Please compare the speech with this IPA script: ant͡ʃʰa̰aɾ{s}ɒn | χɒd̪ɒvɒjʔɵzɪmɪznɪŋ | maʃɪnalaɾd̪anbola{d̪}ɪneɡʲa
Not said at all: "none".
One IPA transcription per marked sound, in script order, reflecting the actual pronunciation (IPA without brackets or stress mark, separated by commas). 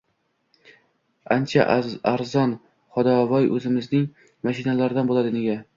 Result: z, d̪